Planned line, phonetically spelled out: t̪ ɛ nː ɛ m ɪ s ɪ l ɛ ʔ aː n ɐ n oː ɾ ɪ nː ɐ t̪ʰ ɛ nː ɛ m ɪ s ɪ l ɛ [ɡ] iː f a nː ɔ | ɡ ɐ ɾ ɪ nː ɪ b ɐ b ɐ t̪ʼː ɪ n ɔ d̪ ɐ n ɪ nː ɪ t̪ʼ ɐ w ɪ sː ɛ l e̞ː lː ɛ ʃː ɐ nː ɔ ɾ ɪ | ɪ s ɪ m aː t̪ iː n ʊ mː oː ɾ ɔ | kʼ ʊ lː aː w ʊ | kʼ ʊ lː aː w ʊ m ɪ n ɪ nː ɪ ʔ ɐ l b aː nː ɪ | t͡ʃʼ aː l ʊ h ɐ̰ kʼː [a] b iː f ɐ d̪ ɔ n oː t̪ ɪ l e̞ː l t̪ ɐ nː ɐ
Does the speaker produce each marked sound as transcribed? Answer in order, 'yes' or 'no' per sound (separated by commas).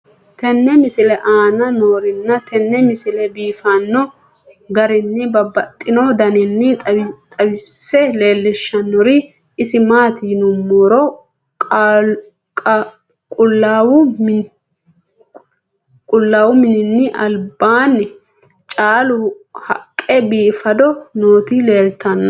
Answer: no, no